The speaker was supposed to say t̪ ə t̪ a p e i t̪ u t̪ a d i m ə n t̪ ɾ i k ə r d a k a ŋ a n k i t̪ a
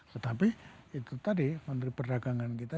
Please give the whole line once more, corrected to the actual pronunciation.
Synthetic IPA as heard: t̪ ə t̪ a p i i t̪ u t̪ a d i m ə n t̪ ɾ i p ə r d a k a ŋ a n k i t̪ a